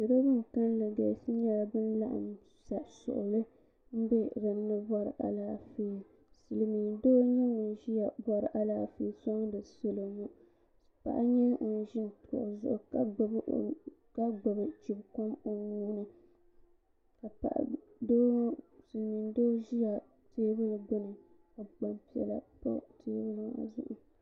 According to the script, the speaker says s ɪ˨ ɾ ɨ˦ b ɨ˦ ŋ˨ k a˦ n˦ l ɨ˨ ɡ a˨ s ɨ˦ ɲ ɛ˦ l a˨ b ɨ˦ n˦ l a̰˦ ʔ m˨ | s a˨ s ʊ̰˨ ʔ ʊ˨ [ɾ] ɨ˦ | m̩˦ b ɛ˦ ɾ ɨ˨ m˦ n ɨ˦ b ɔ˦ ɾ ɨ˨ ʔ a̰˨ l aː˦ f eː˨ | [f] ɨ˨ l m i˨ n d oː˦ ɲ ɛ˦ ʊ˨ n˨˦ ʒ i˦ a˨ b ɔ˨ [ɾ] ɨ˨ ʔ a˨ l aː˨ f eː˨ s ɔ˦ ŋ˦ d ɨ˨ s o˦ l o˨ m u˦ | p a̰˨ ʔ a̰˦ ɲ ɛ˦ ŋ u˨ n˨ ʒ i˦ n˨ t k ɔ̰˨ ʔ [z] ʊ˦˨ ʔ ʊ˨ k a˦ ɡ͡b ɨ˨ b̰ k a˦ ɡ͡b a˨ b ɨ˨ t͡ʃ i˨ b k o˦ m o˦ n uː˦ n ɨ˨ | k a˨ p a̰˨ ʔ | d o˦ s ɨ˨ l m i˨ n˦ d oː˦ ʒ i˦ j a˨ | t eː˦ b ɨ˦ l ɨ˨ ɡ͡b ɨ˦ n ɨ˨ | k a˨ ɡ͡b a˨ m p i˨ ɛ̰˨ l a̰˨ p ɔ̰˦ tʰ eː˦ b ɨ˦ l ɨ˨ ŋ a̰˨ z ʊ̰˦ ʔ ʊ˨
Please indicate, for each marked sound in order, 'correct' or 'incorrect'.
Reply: incorrect, incorrect, correct, correct

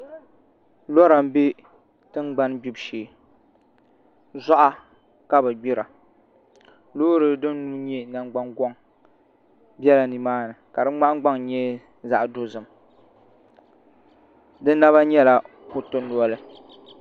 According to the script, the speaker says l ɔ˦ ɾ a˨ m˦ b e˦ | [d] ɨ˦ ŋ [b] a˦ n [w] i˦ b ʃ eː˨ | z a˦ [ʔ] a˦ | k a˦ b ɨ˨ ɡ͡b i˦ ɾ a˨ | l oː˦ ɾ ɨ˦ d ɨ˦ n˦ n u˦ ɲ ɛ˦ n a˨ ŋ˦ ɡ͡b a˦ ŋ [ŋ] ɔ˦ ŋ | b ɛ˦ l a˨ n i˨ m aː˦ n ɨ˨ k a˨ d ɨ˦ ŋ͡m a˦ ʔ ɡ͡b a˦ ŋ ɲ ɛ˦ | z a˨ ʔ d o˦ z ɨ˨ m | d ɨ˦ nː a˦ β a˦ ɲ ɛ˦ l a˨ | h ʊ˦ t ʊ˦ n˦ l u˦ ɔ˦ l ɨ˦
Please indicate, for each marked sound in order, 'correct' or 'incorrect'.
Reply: incorrect, incorrect, incorrect, correct, incorrect

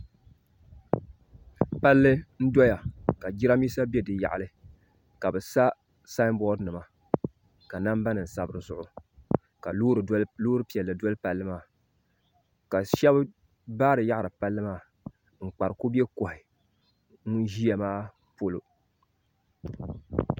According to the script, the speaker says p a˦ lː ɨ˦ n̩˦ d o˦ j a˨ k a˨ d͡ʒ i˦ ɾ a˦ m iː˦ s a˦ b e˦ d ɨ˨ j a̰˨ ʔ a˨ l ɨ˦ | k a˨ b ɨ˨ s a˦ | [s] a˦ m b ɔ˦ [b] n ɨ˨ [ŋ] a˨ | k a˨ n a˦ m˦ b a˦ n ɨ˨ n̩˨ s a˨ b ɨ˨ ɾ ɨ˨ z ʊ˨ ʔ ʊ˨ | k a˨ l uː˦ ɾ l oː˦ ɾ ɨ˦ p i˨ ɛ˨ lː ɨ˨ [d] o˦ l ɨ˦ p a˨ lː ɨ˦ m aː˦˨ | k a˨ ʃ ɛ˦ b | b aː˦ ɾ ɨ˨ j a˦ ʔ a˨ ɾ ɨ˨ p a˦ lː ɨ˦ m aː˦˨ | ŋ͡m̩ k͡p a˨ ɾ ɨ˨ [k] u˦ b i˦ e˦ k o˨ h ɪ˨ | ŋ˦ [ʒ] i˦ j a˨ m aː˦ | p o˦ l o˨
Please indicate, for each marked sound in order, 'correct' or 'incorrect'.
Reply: correct, incorrect, incorrect, correct, correct, correct

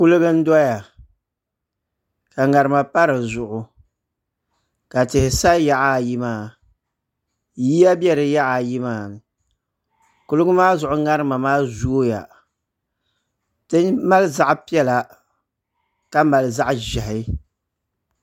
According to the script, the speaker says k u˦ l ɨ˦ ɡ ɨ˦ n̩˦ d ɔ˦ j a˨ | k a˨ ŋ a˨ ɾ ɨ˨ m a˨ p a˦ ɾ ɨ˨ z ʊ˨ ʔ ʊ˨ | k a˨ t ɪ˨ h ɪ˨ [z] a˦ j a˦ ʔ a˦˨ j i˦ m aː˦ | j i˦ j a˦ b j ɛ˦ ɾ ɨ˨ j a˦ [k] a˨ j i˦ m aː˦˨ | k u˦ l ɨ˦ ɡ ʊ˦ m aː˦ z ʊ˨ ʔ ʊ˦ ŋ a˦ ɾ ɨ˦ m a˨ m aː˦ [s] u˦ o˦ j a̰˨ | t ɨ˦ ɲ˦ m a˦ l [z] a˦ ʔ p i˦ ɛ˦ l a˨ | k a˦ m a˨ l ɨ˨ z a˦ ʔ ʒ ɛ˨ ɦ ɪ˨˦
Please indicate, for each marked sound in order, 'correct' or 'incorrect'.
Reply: incorrect, incorrect, incorrect, correct

